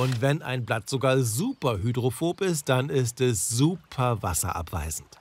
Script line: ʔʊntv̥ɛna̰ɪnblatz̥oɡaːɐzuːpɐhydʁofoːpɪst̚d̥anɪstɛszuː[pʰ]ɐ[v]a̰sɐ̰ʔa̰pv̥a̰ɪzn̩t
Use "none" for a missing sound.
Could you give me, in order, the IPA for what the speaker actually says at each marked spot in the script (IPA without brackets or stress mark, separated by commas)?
pʰ, v